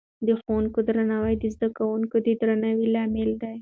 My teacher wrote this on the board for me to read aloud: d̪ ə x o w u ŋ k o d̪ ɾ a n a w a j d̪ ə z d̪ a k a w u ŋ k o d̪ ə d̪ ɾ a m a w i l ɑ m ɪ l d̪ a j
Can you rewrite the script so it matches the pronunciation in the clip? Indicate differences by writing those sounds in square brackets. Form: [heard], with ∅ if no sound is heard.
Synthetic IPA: d̪ ə x o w u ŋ k o d̪ ɾ a n a w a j d̪ ə z d̪ a k a w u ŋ k o d̪ ə d̪ ɾ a [n] a w i l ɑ m ɪ l d̪ a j